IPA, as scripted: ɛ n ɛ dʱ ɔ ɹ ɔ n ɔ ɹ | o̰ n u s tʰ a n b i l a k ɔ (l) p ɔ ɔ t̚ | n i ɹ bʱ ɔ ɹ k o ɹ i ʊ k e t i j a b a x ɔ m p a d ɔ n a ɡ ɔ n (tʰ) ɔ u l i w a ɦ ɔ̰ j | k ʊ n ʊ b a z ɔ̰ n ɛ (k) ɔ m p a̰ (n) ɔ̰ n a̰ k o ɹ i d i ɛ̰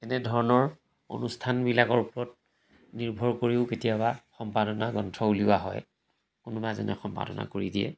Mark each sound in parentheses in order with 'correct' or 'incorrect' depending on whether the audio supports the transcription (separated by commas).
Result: incorrect, correct, incorrect, incorrect